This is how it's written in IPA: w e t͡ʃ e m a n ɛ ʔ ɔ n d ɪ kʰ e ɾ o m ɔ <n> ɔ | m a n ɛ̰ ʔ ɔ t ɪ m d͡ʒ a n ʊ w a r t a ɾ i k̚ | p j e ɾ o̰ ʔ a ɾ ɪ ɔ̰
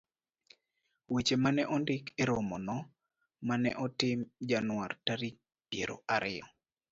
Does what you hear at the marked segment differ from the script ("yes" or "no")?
no